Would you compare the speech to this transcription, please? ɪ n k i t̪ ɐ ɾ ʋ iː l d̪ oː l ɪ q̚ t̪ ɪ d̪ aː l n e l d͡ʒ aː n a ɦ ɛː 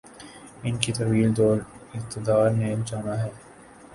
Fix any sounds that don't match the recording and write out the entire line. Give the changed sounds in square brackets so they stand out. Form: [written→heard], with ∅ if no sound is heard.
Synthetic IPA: ɪ n k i t̪ ɐ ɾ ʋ iː l d̪ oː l ɪ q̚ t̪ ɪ d̪ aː [l→ɾ] n e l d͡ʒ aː n a ɦ ɛː